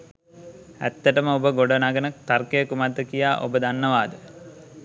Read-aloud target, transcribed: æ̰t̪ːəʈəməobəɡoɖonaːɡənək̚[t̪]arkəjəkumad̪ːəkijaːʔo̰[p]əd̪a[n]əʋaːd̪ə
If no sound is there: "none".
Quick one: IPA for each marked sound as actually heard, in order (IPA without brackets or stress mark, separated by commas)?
t̪, b, nː